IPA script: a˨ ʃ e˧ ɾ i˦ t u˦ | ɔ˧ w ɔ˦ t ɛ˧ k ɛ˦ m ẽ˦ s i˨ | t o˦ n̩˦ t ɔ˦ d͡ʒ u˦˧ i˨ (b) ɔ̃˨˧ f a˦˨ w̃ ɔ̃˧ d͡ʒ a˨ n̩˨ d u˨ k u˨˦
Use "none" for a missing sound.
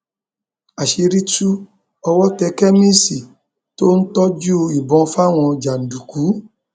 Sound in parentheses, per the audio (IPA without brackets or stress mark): b